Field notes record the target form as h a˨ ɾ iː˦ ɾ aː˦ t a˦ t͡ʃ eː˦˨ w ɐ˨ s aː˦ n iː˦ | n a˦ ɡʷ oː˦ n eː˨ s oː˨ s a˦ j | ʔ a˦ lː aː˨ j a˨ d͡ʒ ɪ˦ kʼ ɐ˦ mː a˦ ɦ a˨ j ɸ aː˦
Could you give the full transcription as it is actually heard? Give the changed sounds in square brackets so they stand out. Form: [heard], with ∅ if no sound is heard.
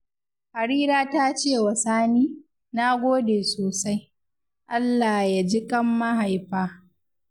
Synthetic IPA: h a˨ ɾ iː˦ ɾ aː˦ t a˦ t͡ʃ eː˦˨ w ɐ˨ s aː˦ n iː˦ | n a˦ ɡʷ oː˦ [d] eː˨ s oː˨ s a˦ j | ʔ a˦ lː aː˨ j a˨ d͡ʒ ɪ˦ kʼ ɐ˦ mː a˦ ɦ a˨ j ɸ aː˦